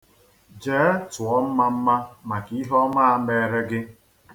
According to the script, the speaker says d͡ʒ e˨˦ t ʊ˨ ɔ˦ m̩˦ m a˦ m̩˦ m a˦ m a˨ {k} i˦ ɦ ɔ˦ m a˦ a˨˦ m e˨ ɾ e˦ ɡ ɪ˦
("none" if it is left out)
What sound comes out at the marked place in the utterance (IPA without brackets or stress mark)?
k